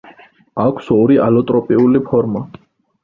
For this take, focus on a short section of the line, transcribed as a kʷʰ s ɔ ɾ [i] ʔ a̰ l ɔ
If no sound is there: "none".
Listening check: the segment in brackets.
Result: i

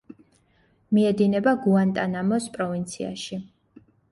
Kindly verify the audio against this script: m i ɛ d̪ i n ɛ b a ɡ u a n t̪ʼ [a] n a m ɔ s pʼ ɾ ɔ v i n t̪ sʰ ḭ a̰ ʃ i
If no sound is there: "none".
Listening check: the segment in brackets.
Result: a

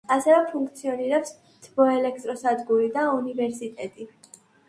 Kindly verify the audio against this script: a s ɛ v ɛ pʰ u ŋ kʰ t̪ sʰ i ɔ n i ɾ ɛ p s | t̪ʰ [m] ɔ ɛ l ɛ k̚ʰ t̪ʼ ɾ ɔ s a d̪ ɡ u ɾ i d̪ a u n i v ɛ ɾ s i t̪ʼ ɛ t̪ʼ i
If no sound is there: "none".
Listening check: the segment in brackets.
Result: b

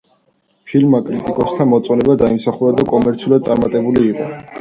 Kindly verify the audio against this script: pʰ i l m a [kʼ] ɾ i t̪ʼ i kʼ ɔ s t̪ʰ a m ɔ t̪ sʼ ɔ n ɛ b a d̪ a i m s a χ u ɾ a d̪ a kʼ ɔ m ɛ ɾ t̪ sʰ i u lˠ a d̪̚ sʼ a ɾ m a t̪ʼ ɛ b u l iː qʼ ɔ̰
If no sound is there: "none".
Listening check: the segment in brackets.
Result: kʼ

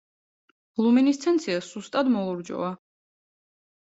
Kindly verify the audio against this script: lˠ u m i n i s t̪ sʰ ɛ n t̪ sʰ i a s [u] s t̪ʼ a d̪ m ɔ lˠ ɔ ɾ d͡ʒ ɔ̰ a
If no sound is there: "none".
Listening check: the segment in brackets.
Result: u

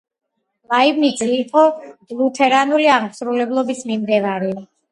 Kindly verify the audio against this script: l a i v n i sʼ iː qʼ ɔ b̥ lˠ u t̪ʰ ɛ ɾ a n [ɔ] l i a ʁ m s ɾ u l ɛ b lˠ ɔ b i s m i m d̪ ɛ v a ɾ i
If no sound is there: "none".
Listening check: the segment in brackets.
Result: u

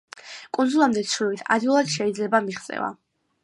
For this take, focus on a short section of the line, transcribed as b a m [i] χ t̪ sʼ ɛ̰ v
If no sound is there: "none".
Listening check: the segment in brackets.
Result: i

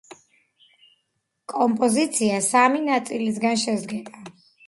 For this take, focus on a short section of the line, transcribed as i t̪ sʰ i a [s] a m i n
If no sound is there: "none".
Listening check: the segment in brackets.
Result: s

